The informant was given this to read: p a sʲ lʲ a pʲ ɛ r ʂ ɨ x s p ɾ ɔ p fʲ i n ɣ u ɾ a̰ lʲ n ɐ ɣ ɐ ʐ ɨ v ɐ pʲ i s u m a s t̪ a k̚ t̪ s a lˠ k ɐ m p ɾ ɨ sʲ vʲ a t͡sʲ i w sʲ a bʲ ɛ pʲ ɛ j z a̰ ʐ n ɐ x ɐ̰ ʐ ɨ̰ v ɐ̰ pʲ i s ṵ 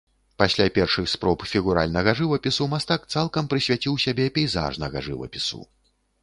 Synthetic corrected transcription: p a sʲ lʲ a pʲ ɛ r ʂ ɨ x s p ɾ ɔ p fʲ i ɣ u ɾ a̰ lʲ n ɐ ɣ ɐ ʐ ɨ v ɐ pʲ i s u m a s t̪ a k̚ t̪ s a lˠ k ɐ m p ɾ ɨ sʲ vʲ a t͡sʲ i w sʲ a bʲ ɛ pʲ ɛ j z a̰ ʐ n ɐ ɣ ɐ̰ ʐ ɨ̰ v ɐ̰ pʲ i s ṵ